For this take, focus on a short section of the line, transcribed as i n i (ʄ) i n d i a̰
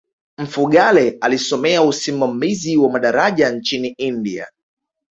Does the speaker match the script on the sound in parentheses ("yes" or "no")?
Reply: no